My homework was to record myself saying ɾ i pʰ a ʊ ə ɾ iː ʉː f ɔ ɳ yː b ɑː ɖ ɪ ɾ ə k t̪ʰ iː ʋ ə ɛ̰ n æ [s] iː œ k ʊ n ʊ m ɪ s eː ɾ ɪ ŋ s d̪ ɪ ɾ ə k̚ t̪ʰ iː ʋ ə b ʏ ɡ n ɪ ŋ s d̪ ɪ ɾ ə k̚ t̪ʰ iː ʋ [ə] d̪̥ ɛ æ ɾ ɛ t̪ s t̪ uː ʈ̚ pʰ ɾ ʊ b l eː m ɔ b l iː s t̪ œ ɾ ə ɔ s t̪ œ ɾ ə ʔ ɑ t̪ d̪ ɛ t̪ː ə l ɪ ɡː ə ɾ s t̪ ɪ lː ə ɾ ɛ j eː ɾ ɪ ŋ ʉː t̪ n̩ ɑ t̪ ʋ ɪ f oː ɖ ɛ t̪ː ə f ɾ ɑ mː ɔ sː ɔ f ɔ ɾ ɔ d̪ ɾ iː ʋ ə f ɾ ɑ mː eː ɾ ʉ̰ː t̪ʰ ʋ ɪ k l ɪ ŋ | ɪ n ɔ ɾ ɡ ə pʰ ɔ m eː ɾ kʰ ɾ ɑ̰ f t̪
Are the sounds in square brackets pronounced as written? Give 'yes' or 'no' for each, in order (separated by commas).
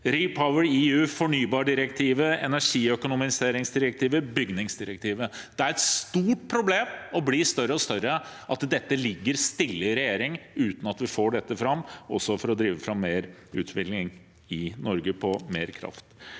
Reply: no, yes